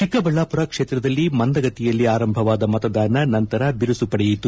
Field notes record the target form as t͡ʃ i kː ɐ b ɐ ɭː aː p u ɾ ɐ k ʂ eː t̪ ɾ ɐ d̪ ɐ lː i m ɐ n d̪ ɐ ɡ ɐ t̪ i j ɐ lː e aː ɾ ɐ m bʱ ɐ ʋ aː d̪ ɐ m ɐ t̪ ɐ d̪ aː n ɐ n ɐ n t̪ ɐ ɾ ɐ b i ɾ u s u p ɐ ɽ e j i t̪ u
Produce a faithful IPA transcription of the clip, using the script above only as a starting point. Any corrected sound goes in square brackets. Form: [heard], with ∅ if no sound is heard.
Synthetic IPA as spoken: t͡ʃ i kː ɐ b ɐ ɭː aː p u ɾ ɐ k ʂ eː t̪ ɾ ɐ d̪ ɐ lː i m ɐ n d̪ ɐ ɡ ɐ t̪ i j ɐ lː [i] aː ɾ ɐ m bʱ ɐ ʋ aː d̪ ɐ m ɐ t̪ ɐ d̪ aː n ɐ n ɐ n t̪ ɐ ɾ ɐ b i ɾ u s u p ɐ ɽ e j i t̪ u

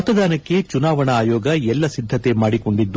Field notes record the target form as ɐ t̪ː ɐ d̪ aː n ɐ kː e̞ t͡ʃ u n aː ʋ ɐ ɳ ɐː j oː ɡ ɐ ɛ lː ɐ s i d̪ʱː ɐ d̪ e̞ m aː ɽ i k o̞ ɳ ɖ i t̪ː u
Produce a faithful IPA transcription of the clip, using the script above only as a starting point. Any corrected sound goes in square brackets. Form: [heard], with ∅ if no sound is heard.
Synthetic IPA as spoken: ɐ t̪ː ɐ d̪ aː n ɐ kː e̞ t͡ʃ u n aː ʋ ɐ ɳ ɐː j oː ɡ ɐ ɛ lː ɐ s i d̪ʱː ɐ [t̪] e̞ m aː ɽ i k o̞ ɳ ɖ i [d̪ː] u

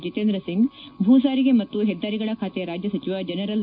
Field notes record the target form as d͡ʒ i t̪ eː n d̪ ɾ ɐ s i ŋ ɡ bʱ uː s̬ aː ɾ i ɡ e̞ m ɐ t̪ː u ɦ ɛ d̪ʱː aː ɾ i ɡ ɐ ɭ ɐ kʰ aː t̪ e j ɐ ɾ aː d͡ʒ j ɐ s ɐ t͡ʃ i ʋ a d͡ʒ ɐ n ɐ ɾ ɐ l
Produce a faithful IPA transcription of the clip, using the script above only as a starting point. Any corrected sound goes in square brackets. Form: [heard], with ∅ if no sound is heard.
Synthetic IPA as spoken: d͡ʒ i t̪ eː n d̪ ɾ ɐ s i ŋ ɡ bʱ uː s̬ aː ɾ i ɡ e̞ m ɐ t̪ː u ɦ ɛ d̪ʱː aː ɾ i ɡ ɐ ɭ ɐ kʰ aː t̪ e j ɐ ɾ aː d͡ʒ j ɐ s ɐ t͡ʃ i ʋ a d͡ʒ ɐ n ɐ ɾ ɐ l

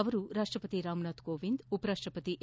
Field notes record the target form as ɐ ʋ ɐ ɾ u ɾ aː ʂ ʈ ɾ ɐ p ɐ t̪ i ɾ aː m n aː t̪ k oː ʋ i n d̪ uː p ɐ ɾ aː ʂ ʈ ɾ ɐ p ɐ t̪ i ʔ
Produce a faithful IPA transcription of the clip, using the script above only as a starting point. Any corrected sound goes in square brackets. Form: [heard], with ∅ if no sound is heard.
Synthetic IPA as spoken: ɐ ʋ ɐ ɾ u ɾ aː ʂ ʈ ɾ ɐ p ɐ t̪ i ɾ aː m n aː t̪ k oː ʋ i n d̪ [u] p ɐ ɾ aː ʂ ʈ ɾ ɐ p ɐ t̪ i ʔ

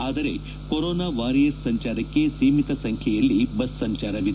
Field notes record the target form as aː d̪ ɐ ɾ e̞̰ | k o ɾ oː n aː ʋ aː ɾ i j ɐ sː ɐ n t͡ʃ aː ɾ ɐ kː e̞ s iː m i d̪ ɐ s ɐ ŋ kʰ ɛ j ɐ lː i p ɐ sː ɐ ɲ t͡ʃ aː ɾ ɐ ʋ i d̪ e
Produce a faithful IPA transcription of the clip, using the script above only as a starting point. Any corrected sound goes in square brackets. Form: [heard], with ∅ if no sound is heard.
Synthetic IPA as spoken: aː d̪ ɐ ɾ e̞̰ | k o ɾ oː n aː ʋ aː ɾ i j ɐ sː ɐ [ɲ] t͡ʃ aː ɾ ɐ kː e̞ s iː m i [t̪] ɐ s ɐ ŋ kʰ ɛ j ɐ lː i [b] ɐ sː ɐ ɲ t͡ʃ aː ɾ ɐ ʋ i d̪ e

